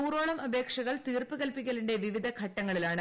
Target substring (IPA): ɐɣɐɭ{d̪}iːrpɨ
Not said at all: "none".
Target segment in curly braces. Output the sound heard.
t̪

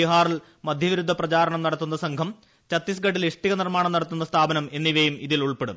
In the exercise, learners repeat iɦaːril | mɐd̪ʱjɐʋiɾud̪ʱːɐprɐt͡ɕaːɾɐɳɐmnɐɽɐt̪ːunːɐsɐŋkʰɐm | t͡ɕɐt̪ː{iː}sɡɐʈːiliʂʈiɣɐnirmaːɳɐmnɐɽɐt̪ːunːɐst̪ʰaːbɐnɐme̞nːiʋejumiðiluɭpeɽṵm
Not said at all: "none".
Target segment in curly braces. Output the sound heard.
i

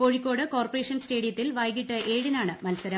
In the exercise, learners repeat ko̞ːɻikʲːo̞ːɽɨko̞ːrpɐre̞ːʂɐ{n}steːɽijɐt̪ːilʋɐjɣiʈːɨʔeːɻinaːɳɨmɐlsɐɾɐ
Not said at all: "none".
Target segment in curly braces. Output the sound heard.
n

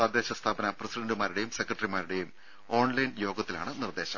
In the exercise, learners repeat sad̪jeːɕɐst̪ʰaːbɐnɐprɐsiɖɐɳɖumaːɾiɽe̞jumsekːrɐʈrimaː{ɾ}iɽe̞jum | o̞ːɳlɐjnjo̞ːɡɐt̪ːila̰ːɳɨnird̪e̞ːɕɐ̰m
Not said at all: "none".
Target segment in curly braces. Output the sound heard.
ɾ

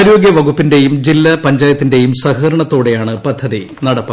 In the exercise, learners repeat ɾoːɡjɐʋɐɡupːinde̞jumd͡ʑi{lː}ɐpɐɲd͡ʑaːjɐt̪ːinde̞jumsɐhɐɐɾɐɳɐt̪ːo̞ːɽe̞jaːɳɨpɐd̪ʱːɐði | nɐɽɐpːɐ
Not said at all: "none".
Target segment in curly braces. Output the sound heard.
lː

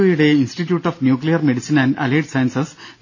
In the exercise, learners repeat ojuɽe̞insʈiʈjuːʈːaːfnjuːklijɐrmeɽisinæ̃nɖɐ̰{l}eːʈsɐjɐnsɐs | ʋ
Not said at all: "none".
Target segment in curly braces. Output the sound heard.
l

